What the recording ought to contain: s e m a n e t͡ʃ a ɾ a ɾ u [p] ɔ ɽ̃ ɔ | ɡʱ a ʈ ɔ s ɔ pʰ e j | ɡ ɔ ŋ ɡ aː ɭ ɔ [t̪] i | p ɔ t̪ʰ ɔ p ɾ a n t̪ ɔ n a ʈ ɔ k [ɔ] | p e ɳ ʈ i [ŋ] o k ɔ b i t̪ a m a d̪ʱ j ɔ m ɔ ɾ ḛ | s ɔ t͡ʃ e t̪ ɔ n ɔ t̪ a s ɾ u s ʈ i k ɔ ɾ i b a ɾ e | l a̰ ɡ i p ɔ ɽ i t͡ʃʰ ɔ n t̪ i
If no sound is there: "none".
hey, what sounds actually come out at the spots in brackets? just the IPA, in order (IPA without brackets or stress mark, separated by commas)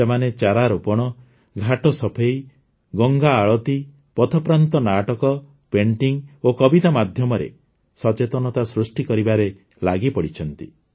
p, t̪, ɔ, ŋ